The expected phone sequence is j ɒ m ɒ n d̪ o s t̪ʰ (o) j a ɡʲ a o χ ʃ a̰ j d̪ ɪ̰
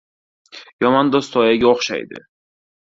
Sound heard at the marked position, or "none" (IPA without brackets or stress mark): ɒ